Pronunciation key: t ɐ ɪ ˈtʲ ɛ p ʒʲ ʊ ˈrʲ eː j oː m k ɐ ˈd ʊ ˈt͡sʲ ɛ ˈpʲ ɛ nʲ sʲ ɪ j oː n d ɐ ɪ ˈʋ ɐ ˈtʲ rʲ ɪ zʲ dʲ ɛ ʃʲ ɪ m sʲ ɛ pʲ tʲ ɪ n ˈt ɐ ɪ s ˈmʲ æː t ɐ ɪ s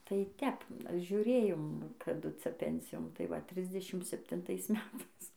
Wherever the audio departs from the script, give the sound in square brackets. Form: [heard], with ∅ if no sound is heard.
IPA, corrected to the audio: t ɐ ɪ ˈtʲ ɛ p ʒʲ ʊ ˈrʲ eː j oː m k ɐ ˈd ʊ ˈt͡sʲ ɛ ˈpʲ ɛ nʲ sʲ ɪ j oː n [t] ɐ ɪ ˈʋ ɐ ˈtʲ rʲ ɪ zʲ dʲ ɛ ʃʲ ɪ m sʲ ɛ pʲ tʲ ɪ n ˈt ɐ ɪ s ˈmʲ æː t ɐ ɪ s